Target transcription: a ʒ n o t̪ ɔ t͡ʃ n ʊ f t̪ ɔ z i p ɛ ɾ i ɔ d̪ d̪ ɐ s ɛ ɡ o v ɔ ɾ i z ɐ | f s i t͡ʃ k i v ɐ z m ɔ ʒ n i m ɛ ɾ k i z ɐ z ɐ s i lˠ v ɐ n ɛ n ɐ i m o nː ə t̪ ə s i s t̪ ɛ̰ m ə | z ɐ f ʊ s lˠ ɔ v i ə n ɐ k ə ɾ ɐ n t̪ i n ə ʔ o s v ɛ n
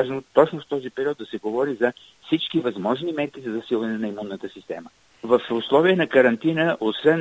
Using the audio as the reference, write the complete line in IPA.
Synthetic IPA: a ʒ n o t̪ ɔ t͡ʃ n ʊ f t̪ ɔ z i p ɛ ɾ i ɔ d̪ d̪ ɐ s ɛ ɡ o v ɔ ɾ i z ɐ | f s i t͡ʃ k i v ɐ z m ɔ ʒ n i m ɛ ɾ k i z ɐ z ɐ s i lˠ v ɐ n ɛ n ɐ i m u nː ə t̪ ə s i s t̪ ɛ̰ m ə | v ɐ f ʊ s lˠ ɔ v i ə n ɐ k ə ɾ ɐ n t̪ i n ə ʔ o s v ɛ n